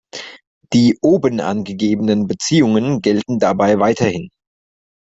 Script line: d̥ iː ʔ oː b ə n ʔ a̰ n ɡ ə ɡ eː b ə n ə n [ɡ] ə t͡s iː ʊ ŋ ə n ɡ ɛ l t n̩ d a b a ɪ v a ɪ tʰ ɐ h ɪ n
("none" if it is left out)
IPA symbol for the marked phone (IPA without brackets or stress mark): b